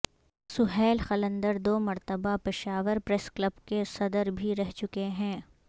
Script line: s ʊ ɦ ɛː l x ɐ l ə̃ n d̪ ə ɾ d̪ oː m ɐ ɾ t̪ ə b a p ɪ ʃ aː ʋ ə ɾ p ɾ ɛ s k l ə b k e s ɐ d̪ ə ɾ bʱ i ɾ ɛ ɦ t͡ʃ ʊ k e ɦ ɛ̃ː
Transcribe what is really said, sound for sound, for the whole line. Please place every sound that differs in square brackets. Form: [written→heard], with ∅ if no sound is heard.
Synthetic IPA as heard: s ʊ ɦ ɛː l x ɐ l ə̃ n d̪ ə ɾ d̪ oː m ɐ ɾ t̪ ə b a p ɪ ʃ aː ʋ ə ɾ p ɾ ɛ s k l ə b k e s ɐ d̪ ə ɾ bʱ i ɾ ɛ ɦ t͡ʃ ʊ k e ɦ ɛ̃ː